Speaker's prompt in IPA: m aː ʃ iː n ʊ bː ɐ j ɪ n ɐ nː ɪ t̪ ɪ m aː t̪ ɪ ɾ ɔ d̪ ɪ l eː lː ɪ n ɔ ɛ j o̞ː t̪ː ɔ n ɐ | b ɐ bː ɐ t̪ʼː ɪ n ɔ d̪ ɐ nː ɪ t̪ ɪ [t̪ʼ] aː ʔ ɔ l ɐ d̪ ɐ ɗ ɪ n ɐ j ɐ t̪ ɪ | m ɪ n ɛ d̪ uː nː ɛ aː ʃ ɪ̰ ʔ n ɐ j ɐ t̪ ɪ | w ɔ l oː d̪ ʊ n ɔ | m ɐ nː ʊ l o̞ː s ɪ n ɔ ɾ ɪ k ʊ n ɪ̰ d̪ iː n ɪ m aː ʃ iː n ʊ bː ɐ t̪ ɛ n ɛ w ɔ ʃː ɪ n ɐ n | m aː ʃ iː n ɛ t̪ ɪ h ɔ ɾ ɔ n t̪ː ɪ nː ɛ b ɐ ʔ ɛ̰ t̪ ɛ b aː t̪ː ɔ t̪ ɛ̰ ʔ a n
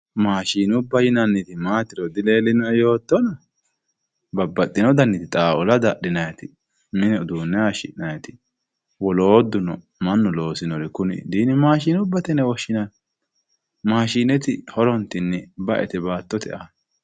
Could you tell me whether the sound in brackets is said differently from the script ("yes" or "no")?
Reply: no